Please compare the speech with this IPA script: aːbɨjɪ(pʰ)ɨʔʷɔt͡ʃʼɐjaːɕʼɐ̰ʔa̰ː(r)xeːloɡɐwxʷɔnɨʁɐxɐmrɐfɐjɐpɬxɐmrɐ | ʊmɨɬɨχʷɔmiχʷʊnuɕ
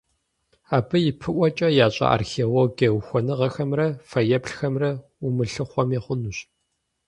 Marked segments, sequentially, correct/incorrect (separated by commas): correct, correct